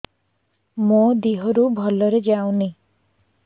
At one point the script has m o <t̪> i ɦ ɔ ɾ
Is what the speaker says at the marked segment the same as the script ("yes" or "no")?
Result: no